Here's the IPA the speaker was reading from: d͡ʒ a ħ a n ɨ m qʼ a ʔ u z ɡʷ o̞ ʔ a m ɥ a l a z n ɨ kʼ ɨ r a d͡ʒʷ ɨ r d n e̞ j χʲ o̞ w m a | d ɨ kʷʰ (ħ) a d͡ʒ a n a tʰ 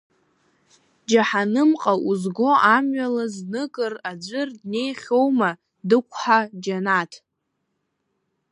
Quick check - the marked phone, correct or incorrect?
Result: correct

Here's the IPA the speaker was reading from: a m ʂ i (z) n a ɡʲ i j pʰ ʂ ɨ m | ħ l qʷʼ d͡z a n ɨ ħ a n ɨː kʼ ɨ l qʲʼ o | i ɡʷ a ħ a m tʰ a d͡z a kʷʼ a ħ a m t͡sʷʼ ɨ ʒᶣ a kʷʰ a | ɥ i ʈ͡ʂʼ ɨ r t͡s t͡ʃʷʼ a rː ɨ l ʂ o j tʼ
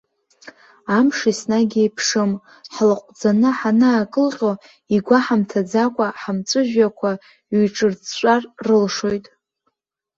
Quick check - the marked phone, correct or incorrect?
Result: incorrect: s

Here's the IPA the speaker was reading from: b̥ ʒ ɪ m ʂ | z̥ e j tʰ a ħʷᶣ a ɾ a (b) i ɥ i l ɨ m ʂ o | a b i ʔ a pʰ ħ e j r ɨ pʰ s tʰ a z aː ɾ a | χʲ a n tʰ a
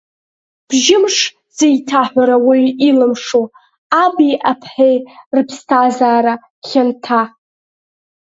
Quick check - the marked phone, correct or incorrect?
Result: incorrect: w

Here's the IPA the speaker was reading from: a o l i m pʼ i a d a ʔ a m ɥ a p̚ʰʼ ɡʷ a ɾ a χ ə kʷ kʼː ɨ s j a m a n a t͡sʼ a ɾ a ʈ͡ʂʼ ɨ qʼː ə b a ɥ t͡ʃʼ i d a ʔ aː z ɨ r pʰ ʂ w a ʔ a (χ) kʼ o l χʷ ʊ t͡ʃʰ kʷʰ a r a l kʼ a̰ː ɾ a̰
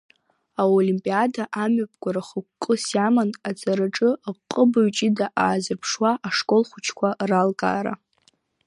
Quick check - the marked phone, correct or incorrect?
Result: incorrect: ʂ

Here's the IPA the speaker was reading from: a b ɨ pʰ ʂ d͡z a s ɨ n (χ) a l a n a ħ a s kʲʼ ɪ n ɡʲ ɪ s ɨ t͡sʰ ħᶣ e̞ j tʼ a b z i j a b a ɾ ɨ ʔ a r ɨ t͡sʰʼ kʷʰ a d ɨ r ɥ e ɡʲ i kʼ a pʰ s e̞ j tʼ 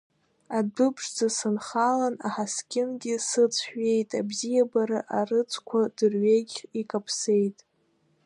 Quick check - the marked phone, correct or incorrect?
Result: correct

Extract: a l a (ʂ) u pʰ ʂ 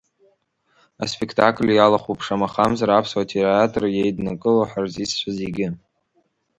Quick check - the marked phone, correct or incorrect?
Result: incorrect: χ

